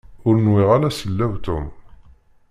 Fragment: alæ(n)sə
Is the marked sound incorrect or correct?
incorrect